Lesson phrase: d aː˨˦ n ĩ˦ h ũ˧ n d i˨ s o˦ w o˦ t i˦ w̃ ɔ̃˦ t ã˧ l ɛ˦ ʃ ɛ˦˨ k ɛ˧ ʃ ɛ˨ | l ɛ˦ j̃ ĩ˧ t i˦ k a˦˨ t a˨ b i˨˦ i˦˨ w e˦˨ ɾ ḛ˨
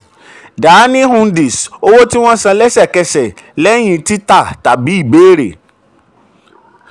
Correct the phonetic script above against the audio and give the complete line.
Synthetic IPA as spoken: d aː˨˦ n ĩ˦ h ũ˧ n d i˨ s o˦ w o˦ t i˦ w̃ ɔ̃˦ s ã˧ l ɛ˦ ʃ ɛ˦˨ k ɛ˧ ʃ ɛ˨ | l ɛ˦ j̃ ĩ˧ t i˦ t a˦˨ t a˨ b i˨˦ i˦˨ b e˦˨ ɾ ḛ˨

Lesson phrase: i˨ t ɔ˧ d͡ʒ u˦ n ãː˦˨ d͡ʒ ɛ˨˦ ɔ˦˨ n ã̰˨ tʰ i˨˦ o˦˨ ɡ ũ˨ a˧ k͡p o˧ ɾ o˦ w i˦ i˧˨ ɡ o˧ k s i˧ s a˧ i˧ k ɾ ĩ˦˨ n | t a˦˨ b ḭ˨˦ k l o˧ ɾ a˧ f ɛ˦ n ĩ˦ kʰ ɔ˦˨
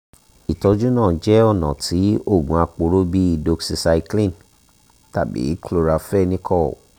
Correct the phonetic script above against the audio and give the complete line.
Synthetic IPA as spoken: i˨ t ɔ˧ d͡ʒ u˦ n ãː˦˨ d͡ʒ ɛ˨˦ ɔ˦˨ n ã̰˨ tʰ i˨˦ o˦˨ ɡ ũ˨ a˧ k͡p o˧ ɾ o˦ b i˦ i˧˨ d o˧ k s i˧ s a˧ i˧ k l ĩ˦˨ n | t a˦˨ b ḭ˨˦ k l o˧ ɾ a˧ f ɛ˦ n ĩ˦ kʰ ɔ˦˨

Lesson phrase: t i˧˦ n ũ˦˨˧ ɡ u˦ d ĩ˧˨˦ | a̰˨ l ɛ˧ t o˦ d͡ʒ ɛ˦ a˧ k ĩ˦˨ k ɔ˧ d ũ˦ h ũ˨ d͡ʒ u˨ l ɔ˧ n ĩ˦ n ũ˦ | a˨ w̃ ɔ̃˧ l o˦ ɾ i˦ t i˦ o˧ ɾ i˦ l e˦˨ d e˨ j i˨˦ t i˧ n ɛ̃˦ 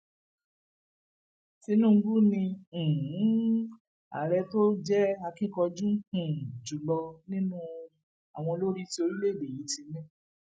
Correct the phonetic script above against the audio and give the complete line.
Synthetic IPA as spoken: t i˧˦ n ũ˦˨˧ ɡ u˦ n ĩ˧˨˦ | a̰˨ ɾ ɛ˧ t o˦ d͡ʒ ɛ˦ a˧ k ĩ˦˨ k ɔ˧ d͡ʒ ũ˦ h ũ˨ d͡ʒ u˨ l ɔ˧ n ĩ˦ n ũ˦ | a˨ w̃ ɔ̃˧ l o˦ ɾ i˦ t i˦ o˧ ɾ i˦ l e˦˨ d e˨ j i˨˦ t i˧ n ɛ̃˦

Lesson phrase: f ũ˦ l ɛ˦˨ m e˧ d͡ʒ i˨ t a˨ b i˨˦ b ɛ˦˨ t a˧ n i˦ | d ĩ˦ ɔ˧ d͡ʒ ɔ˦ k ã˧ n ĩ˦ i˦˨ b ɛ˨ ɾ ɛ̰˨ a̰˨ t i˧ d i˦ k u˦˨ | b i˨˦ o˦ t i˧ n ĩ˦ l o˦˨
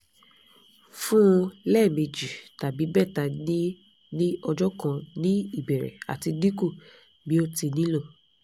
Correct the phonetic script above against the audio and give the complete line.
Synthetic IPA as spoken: f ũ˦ l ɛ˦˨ m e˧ d͡ʒ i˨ t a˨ b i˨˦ b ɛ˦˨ t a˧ n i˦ | n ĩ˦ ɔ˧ d͡ʒ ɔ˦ k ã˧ n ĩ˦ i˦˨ b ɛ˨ ɾ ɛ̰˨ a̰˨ t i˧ d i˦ k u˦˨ | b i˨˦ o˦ t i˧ n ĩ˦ l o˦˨

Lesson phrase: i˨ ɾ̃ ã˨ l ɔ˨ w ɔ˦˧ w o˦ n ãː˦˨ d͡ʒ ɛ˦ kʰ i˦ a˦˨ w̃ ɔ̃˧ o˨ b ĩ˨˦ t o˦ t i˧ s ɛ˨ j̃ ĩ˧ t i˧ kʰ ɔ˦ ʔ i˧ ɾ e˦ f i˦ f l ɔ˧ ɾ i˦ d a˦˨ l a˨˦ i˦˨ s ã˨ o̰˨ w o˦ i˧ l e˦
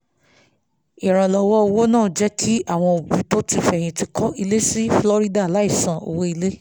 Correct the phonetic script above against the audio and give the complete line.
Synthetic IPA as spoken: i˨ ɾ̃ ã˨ l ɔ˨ w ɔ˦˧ w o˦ n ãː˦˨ d͡ʒ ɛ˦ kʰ i˦ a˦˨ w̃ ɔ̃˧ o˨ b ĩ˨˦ t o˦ t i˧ f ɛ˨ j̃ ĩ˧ t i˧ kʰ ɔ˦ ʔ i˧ l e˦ s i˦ f l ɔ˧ ɾ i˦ d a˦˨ l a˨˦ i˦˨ s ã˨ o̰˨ w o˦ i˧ l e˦

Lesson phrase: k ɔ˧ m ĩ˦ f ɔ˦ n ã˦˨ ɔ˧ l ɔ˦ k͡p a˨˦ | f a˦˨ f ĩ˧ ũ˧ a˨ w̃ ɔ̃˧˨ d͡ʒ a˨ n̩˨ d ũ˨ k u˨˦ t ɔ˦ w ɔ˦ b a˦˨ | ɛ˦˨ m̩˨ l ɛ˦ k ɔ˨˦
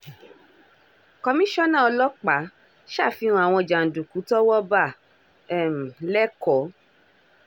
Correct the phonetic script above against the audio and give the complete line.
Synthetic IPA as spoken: k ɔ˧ m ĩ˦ ʃ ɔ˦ n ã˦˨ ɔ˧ l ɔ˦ k͡p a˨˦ | ʃ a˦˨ f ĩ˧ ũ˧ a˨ w̃ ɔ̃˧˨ d͡ʒ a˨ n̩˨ d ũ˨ k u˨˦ t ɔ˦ w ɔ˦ b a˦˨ | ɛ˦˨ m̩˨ l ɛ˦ k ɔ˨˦

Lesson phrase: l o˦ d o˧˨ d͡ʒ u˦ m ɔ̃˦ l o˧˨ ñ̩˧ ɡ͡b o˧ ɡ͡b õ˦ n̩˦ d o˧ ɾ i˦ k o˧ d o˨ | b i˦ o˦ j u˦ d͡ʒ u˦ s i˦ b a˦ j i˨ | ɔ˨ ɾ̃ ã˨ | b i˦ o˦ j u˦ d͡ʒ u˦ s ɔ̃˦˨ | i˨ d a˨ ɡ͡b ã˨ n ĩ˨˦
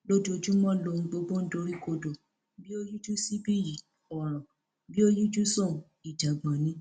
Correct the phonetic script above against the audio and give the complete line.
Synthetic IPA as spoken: l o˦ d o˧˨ d͡ʒ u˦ m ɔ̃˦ l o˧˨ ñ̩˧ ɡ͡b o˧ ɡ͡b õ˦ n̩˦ d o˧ ɾ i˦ k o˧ d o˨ | b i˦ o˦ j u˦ d͡ʒ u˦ s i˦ b i˦ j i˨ | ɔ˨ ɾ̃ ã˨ | b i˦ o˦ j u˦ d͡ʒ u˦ s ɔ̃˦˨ | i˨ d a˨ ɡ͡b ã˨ n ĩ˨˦

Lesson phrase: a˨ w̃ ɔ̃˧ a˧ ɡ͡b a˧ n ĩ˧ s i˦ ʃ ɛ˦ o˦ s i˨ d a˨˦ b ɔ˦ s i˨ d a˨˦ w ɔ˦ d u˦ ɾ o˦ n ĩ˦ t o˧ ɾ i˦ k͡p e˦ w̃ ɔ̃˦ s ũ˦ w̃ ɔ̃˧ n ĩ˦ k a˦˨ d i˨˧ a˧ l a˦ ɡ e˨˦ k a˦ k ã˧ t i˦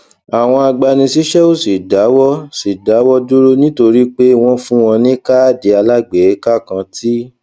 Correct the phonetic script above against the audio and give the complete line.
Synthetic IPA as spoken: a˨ w̃ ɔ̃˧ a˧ ɡ͡b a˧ n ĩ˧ s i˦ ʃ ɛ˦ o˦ s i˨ d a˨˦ w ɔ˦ s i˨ d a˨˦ w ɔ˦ d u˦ ɾ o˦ n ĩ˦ t o˧ ɾ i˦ k͡p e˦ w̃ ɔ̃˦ f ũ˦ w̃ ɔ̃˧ n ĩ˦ k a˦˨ d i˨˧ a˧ l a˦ ɡ͡b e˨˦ k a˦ k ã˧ t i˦

